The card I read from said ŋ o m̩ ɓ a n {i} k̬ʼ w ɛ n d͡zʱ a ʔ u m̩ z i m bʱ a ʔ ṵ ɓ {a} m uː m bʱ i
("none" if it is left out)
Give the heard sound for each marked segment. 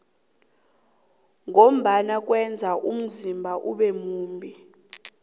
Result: a, ɛ

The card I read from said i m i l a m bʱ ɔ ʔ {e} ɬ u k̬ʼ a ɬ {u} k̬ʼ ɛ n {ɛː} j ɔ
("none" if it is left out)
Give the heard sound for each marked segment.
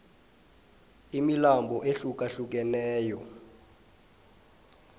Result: e, u, ɛː

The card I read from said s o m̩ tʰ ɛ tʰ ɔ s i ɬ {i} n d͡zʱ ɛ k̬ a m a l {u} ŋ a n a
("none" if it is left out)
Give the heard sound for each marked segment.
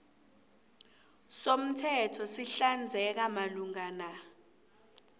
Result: a, u

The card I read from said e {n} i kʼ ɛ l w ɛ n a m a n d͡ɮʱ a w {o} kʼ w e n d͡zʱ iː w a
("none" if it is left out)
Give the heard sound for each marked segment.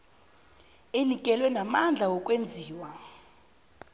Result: n, ɔ

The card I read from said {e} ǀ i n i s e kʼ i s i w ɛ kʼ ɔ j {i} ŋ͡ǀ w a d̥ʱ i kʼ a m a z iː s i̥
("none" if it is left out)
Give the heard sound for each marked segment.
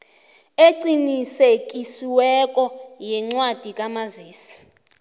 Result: e, ɛ

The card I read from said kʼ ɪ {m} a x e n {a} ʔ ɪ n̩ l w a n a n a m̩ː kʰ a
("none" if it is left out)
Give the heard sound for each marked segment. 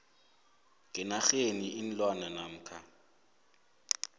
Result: n, i

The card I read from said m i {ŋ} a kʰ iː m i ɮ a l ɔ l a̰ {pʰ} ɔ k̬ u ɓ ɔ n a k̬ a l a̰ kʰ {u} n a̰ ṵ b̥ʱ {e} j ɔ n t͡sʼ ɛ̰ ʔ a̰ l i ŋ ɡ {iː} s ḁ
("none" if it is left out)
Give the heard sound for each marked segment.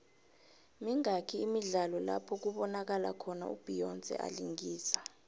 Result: ŋ, pʰ, ɔ, i, iː

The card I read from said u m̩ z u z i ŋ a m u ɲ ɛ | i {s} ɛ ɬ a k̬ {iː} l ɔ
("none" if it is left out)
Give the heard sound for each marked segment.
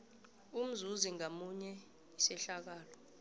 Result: s, aː

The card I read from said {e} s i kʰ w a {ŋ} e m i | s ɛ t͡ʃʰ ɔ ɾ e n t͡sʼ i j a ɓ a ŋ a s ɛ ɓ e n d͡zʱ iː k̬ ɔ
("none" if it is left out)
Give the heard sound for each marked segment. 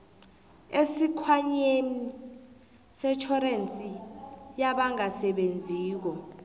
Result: e, ɲ

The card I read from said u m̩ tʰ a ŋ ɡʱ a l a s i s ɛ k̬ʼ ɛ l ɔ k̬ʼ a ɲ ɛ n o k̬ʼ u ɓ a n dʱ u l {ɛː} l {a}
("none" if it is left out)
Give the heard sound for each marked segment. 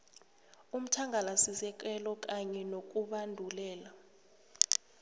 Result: ɛː, a

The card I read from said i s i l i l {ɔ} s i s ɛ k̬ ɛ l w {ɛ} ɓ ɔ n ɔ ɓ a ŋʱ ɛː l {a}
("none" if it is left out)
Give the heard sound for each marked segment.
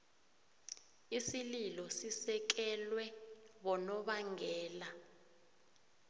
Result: ɔ, ɛ, a

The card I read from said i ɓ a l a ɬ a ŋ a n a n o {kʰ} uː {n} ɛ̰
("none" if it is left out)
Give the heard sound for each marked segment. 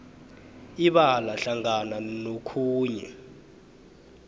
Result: kʰ, ɲ

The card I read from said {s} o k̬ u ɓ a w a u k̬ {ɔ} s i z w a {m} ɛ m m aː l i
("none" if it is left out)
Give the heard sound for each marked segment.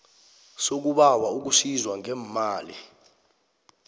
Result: s, u, ŋ

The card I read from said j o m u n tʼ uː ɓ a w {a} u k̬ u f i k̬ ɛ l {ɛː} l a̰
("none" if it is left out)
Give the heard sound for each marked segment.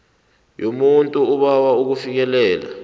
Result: a, ɛː

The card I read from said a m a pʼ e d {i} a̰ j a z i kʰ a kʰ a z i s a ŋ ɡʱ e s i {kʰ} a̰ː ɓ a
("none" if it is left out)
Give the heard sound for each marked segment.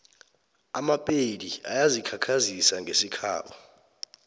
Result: i, kʰ

